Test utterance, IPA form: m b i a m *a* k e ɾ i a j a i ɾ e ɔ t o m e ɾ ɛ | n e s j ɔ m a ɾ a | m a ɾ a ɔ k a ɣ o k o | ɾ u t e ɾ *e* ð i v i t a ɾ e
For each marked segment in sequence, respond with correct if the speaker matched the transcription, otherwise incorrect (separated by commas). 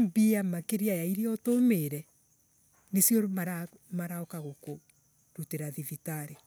correct, incorrect